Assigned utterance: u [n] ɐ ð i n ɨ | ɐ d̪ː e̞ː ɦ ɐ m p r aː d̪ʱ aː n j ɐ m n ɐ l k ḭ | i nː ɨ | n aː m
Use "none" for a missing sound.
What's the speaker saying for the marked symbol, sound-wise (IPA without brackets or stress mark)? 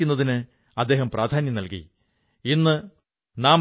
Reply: nː